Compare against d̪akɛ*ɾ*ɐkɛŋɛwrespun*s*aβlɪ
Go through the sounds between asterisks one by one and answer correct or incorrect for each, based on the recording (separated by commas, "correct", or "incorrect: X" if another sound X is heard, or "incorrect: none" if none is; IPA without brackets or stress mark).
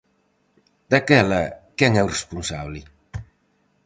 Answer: incorrect: l, correct